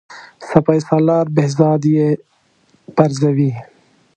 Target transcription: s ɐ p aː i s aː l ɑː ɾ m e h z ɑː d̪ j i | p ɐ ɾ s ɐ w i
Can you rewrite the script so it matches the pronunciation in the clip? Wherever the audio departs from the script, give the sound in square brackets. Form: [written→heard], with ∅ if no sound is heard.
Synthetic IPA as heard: s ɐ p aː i s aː l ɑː ɾ [m→b] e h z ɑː d̪ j [i→e] | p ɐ ɾ [s→z] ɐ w i